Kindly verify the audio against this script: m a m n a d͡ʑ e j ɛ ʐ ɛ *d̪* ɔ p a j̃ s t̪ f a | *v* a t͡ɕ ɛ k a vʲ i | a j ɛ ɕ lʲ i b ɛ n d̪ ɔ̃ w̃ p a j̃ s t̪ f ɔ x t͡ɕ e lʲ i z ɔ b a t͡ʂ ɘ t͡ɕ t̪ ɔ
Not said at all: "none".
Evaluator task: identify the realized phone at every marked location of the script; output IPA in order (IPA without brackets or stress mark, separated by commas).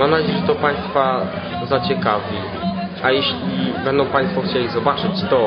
t̪, z